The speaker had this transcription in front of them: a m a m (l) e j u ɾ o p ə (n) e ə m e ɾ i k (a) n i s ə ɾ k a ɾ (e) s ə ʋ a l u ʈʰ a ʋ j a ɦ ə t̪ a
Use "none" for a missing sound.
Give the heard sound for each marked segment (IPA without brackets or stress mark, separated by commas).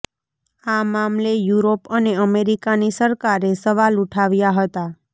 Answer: l, n, a, e